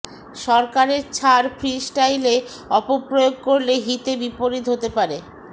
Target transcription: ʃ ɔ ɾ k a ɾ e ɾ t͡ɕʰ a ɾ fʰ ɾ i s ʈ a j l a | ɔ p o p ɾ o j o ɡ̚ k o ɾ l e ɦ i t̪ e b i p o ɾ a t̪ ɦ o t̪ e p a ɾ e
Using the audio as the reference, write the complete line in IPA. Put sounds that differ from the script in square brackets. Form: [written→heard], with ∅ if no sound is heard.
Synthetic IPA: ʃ ɔ ɾ k a ɾ e ɾ t͡ɕʰ a ɾ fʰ ɾ i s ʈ a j l [a→e] | ɔ p o p ɾ o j o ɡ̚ k o ɾ l e ɦ i t̪ e b i p o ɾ [a→i] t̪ ɦ o t̪ e p a ɾ e